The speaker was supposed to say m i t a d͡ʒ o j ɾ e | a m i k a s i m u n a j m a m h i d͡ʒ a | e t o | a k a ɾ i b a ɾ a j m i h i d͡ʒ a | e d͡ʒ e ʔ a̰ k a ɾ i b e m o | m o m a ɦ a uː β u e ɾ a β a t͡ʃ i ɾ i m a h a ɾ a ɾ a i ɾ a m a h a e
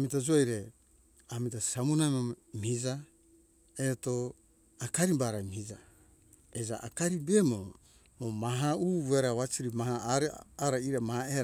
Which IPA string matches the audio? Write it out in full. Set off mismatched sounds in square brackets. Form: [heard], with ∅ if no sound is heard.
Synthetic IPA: m i t a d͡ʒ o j ɾ e | a m i [t] a s [a] m u n a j m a m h i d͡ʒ a | e t o | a k a ɾ i b a ɾ a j m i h i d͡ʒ a | e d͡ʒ [a] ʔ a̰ k a ɾ i b e m o | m o m a ɦ a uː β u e ɾ a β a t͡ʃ i ɾ i m a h a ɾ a ɾ a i ɾ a m a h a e